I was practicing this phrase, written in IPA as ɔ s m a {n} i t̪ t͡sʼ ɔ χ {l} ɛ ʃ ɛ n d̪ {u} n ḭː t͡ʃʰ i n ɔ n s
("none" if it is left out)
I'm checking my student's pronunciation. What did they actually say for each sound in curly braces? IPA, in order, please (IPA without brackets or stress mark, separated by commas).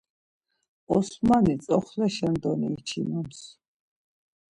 n, l, ɔ